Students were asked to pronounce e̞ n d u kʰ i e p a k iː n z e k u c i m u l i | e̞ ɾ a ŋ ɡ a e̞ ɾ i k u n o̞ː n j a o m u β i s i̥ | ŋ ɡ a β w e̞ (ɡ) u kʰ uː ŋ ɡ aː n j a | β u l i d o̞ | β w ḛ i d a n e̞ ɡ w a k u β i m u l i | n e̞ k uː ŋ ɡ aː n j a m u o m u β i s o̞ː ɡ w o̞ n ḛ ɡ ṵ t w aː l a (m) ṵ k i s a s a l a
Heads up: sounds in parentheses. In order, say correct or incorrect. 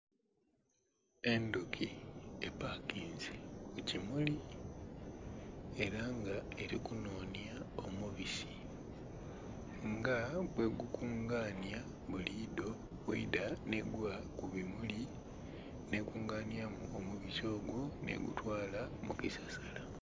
correct, correct

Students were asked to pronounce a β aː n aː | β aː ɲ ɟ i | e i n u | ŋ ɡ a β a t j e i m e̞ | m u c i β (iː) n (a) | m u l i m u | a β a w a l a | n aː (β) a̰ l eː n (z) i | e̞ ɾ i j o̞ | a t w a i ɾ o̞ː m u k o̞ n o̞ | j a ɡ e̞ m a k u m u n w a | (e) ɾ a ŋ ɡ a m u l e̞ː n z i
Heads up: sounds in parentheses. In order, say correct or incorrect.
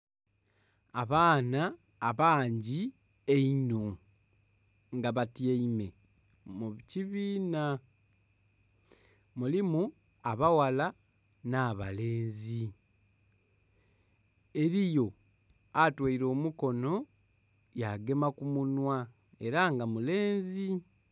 correct, correct, correct, correct, correct

